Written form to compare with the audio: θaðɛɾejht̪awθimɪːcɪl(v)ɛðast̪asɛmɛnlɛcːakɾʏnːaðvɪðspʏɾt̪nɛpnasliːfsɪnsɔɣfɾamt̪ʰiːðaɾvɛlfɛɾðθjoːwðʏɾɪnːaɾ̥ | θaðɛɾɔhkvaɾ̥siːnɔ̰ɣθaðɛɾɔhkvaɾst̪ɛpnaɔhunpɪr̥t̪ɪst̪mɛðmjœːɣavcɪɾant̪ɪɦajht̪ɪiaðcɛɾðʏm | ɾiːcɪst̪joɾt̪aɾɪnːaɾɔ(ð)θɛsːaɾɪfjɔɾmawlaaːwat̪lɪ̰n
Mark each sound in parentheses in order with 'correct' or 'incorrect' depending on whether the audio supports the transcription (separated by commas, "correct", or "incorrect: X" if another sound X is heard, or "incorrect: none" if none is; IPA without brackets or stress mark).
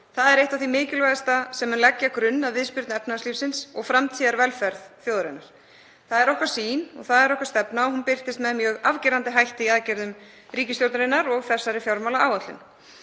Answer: correct, incorrect: ɣ